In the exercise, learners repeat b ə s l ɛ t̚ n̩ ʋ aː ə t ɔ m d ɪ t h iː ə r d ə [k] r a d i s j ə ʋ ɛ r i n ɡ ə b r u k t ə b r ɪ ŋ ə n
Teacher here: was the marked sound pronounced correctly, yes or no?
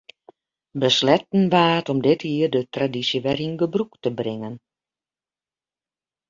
no